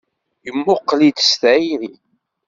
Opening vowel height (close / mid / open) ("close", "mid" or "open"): mid